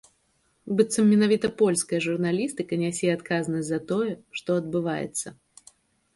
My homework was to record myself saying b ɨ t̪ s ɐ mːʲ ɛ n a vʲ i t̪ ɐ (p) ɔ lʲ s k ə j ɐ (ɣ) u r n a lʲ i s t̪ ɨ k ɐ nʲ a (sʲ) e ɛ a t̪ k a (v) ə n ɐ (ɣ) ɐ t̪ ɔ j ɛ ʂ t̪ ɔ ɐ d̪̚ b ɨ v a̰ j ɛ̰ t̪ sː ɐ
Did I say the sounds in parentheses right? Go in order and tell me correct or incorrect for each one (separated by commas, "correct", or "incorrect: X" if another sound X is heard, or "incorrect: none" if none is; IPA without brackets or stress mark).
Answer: correct, incorrect: ʐ, correct, incorrect: z, incorrect: z